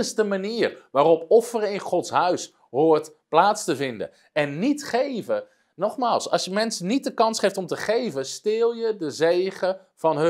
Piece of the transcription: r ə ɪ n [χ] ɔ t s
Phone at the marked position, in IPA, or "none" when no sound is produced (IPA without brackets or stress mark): χ